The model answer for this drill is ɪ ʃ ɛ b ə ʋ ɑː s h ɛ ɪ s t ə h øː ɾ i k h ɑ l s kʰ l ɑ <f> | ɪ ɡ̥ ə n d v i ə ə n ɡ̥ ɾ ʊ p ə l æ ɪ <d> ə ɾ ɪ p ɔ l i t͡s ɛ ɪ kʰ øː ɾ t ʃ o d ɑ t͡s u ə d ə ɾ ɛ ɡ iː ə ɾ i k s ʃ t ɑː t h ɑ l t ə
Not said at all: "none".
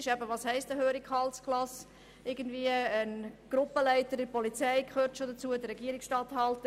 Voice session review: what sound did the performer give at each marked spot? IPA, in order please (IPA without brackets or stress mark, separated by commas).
s, t